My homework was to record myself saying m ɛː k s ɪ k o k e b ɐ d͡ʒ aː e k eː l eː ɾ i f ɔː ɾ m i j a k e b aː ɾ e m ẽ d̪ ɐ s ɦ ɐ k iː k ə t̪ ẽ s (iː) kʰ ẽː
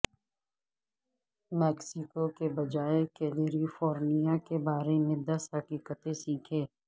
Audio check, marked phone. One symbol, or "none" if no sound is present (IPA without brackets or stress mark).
iː